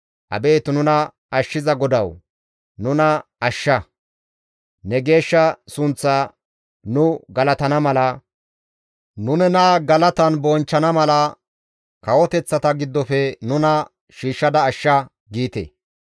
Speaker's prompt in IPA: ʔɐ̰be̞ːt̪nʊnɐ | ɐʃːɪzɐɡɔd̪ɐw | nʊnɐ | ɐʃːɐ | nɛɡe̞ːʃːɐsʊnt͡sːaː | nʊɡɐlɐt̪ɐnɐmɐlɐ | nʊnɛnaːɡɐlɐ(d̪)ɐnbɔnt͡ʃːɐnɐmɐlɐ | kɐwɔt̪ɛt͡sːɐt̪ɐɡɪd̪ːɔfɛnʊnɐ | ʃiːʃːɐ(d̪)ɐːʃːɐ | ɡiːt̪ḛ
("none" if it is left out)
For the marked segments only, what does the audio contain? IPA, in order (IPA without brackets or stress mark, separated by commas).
t̪, d̪